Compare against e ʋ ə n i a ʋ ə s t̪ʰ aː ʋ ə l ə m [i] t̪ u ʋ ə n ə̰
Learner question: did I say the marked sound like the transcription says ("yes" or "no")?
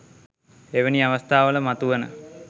no